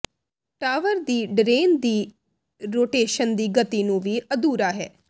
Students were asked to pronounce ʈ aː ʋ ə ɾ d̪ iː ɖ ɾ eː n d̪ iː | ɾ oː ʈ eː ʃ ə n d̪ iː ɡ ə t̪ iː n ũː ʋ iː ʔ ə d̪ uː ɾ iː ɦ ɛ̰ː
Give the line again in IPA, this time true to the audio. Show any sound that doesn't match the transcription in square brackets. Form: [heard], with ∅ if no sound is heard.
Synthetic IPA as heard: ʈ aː ʋ ə ɾ d̪ iː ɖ ɾ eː n d̪ iː | ɾ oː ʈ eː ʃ ə n d̪ iː ɡ ə t̪ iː n ũː ʋ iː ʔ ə d̪ uː ɾ [aː] ɦ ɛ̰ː